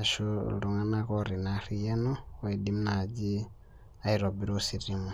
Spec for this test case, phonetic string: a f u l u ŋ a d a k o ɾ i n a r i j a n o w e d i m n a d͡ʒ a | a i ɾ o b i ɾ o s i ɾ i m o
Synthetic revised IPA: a ʃ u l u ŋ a n a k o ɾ i n a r i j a n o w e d i m n a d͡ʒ i | a i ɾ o b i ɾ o s i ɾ i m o